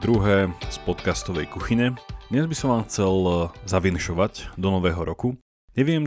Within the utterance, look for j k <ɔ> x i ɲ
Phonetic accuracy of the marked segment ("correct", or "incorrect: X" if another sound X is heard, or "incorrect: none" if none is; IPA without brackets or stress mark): incorrect: u